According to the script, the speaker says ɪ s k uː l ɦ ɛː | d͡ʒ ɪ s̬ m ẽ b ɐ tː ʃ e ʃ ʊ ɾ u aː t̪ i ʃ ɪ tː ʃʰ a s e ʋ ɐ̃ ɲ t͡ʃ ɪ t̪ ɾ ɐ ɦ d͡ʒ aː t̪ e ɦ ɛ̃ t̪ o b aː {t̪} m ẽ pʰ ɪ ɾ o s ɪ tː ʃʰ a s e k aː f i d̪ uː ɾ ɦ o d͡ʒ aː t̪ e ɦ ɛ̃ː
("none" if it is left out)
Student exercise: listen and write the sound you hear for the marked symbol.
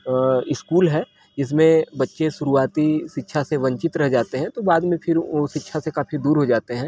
d̪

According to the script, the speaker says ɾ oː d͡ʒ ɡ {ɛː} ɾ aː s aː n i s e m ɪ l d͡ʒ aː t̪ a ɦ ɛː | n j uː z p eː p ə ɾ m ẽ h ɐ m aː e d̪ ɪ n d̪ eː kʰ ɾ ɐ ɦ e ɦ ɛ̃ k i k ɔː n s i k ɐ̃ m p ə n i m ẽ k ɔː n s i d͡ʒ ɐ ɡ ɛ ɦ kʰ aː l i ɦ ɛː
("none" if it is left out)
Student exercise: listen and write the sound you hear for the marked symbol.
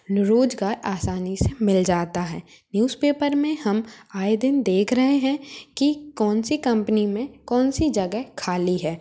aː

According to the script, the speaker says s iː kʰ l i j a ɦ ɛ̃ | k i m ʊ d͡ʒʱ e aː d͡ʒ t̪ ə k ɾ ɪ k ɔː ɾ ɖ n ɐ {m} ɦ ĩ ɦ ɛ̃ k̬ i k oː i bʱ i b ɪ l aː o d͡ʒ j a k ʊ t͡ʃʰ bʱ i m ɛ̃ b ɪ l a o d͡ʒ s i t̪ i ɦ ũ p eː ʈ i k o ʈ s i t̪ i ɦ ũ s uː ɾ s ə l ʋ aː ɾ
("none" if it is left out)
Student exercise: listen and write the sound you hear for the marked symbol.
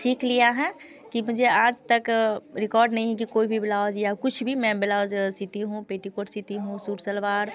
none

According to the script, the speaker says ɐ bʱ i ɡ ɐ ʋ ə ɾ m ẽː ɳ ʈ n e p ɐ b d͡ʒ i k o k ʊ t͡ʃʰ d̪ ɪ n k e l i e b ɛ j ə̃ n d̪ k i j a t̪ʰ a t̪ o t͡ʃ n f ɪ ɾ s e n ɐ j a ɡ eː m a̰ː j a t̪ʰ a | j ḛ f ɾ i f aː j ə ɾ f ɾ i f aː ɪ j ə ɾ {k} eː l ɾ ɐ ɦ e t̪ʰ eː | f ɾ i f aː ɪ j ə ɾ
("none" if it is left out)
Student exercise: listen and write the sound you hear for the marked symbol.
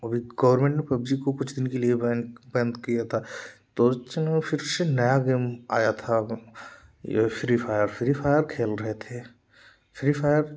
kʰ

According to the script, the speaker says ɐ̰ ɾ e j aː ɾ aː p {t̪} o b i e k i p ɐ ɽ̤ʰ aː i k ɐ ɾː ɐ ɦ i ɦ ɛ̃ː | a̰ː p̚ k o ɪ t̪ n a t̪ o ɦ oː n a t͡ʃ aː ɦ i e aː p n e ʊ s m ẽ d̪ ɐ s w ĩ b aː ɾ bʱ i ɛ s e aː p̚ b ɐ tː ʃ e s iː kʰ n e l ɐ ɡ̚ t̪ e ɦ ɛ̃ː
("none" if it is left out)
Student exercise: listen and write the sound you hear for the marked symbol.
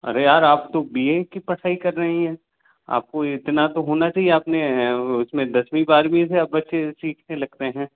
t̪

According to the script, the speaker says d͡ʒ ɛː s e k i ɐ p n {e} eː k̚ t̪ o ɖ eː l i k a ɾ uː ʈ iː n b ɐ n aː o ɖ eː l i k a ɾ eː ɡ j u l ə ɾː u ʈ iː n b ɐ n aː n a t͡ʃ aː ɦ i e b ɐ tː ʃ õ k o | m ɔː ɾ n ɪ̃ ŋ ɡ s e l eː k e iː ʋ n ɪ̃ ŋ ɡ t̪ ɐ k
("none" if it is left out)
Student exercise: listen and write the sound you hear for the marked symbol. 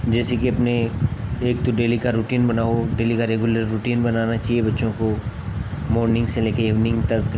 e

